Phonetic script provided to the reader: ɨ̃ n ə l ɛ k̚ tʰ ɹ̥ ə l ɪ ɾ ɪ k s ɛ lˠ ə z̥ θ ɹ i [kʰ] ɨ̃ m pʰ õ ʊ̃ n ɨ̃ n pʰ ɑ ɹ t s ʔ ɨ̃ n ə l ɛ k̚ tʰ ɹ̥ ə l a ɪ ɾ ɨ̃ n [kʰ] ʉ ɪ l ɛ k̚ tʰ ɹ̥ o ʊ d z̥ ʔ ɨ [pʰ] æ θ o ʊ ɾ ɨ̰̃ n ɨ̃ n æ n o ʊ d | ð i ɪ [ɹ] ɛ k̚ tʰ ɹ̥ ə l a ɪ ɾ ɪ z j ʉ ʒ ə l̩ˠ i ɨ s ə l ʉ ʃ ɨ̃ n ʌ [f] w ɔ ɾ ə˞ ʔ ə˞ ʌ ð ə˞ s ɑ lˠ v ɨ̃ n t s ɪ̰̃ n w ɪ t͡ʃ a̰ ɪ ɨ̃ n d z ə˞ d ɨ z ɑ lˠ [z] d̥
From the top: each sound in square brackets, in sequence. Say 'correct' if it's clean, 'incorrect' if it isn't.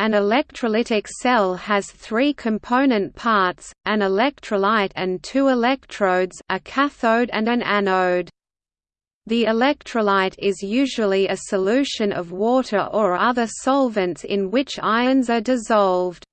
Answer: correct, incorrect: tʰ, incorrect: kʰ, incorrect: l, incorrect: v, incorrect: v

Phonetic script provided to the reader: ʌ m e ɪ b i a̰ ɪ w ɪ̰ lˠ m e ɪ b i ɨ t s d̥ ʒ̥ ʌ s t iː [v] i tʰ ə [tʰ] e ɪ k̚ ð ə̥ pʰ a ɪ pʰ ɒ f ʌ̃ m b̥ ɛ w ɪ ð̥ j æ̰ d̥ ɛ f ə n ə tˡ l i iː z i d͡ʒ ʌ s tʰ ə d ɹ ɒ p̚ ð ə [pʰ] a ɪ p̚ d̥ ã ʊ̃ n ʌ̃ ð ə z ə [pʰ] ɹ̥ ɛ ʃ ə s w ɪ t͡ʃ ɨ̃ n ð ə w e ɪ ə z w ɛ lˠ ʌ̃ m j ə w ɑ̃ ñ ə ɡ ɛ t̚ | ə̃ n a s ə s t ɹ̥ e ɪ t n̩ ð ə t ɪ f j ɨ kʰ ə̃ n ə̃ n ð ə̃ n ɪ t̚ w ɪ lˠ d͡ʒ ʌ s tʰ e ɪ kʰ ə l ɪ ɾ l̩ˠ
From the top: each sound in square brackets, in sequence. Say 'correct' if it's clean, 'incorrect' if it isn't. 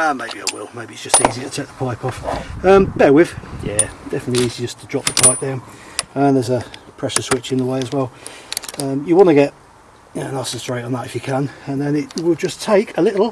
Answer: incorrect: z, correct, correct, correct

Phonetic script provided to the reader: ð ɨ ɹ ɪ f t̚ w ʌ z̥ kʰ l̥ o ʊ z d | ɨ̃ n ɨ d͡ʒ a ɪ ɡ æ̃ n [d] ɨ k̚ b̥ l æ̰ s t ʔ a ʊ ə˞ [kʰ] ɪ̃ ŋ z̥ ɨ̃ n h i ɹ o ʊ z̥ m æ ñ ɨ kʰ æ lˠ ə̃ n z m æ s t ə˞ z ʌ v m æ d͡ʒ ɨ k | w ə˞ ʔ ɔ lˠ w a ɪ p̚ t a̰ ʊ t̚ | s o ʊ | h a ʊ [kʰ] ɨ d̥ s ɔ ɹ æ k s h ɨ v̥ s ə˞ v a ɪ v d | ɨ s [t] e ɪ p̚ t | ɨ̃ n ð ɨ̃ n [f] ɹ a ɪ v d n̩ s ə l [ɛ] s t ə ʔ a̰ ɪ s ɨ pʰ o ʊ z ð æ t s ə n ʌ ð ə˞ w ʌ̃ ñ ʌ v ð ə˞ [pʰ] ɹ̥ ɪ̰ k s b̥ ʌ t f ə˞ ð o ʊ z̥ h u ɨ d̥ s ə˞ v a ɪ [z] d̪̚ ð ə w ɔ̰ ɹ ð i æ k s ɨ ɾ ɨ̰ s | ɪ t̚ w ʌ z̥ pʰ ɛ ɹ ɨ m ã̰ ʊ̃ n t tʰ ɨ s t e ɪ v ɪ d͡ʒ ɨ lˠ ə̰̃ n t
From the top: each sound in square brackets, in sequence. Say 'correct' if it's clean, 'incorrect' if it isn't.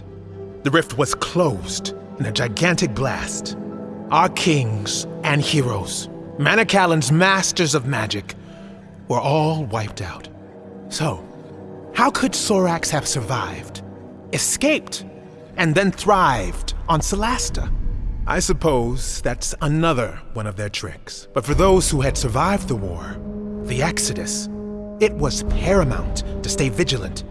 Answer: incorrect: t, correct, correct, incorrect: k, incorrect: θ, incorrect: æ, incorrect: tʰ, incorrect: v

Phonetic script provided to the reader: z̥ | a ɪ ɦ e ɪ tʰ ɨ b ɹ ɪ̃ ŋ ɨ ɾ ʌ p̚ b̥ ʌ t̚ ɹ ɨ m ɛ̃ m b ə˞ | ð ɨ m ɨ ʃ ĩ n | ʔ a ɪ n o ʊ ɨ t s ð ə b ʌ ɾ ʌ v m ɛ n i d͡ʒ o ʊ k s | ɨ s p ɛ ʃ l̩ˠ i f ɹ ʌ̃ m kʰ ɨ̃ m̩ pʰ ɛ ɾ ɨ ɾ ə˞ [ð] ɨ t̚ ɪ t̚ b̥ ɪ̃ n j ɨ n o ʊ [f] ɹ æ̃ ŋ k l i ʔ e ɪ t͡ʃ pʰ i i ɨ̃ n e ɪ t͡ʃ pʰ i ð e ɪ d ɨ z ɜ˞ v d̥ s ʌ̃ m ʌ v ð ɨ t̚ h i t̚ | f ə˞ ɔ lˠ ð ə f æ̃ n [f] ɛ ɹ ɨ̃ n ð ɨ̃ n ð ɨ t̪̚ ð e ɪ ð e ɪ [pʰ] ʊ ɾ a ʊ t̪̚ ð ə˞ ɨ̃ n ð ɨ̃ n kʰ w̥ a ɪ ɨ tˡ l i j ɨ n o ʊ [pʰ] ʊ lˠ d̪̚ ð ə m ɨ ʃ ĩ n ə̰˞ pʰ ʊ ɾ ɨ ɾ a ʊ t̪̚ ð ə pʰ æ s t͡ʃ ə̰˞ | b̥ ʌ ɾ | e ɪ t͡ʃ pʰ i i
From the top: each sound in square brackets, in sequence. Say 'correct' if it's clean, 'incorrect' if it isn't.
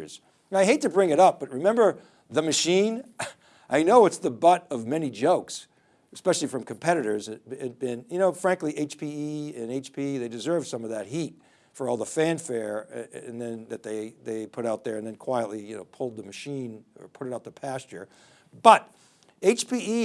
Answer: incorrect: z, correct, correct, correct, correct

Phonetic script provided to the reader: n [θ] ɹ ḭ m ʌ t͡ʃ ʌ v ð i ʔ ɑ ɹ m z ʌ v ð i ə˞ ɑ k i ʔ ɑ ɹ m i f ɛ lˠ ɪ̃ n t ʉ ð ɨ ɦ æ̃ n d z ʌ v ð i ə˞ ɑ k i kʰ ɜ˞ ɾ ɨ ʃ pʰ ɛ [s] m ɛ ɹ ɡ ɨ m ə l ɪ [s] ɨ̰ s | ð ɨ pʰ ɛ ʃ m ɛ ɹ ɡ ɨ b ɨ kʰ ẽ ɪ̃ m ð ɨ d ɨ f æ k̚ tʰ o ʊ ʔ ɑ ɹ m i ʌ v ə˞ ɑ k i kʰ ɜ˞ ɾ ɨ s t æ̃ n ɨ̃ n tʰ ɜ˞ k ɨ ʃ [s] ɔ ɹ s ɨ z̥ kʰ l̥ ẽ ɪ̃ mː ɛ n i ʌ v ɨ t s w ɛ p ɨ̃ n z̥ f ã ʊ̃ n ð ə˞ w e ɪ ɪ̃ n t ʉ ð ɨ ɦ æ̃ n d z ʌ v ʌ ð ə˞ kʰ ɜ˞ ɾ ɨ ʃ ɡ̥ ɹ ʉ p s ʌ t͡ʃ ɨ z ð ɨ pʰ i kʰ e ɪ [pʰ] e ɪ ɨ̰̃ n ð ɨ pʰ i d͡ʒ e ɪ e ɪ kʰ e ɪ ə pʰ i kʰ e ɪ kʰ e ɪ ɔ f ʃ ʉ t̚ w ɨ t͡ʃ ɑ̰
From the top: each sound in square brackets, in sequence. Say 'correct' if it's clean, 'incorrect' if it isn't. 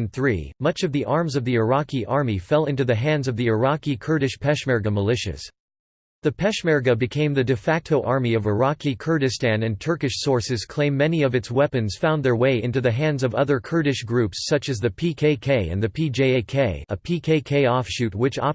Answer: correct, incorrect: ʃ, incorrect: ʃ, correct, incorrect: kʰ

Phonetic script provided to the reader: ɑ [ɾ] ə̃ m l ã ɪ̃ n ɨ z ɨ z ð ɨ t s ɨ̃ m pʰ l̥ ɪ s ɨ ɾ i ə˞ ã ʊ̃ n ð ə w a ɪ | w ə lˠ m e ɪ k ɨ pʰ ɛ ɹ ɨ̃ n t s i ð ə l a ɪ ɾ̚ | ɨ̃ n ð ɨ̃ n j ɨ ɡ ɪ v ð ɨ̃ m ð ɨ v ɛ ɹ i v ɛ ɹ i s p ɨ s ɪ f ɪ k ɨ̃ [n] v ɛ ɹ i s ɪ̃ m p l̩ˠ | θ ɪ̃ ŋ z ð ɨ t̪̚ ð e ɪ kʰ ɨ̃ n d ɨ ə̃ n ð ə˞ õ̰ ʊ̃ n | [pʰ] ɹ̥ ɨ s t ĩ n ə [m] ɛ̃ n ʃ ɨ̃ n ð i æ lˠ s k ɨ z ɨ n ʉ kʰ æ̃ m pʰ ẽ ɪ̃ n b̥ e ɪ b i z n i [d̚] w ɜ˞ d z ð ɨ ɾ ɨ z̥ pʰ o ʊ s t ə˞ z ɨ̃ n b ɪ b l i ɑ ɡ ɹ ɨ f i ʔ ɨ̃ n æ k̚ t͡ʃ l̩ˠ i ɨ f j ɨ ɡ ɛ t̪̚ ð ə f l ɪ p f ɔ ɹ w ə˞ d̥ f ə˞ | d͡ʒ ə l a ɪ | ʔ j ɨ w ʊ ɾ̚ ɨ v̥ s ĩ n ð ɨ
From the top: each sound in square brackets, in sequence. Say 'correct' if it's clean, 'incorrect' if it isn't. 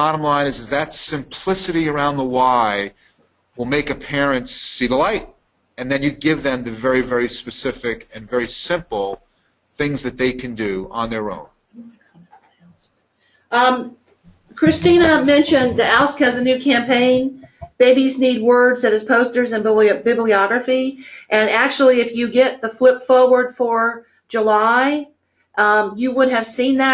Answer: correct, correct, incorrect: kʰ, correct, correct

